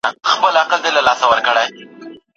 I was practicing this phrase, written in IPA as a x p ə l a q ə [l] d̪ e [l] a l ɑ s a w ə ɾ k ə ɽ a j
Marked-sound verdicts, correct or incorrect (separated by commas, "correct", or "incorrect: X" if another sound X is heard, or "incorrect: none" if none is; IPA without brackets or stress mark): correct, correct